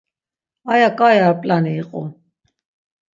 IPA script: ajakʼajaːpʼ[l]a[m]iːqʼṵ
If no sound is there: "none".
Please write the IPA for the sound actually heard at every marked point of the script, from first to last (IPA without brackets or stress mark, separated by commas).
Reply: l, n